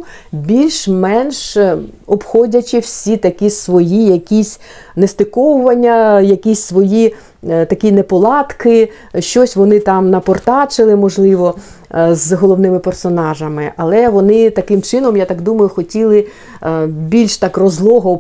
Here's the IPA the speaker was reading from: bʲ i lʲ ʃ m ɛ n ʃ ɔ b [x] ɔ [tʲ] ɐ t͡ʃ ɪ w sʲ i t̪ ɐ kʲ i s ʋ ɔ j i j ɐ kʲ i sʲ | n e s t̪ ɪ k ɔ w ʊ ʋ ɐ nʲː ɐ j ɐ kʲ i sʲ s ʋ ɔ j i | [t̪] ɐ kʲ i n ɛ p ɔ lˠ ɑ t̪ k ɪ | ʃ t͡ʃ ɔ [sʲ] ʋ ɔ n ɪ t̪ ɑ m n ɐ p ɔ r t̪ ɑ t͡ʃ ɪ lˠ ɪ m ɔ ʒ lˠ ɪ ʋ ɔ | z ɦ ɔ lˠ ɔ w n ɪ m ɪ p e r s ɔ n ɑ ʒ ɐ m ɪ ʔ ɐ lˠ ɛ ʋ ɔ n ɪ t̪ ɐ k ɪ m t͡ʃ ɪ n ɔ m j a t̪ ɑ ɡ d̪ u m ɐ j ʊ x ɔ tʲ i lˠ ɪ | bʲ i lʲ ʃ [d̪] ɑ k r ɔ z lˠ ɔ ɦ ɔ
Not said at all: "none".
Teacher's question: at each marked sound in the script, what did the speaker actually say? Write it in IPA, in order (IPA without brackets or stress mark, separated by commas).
x, dʲ, t̪, sʲ, t̪